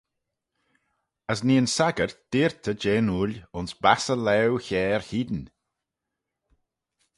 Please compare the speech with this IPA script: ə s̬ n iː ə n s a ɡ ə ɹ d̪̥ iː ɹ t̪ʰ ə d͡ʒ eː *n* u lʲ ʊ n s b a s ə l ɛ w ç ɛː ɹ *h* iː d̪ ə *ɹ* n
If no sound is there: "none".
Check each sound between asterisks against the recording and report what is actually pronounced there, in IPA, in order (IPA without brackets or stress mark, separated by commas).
n, h, none